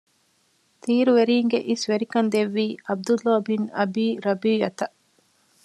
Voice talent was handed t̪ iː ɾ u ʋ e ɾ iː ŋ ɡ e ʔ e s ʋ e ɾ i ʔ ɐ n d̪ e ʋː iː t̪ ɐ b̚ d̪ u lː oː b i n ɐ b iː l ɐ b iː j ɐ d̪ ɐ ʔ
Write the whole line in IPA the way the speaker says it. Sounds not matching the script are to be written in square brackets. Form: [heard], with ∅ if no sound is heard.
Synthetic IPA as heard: t̪ iː ɾ u ʋ e ɾ iː ŋ ɡ e ʔ [i] s ʋ e ɾ i [k] ɐ n d̪ e ʋː iː [∅] ɐ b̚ d̪ u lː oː b i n ɐ b iː [ɾ] ɐ b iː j ɐ [t̪] ɐ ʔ